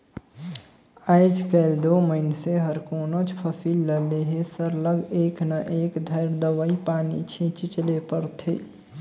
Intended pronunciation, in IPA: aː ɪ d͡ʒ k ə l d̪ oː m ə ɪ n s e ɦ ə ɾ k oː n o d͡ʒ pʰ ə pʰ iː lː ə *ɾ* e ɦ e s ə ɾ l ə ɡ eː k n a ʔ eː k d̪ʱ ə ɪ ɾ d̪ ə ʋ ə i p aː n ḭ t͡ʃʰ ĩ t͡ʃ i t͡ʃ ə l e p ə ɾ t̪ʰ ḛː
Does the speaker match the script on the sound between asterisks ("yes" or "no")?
no